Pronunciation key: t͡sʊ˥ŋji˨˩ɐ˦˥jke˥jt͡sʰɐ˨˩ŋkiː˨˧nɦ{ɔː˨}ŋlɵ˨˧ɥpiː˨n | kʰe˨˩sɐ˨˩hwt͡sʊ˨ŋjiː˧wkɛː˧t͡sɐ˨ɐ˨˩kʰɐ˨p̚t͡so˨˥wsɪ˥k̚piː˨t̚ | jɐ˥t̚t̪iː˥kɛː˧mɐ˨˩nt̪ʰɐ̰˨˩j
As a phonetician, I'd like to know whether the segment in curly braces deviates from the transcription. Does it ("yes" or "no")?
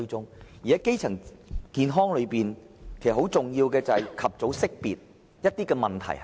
yes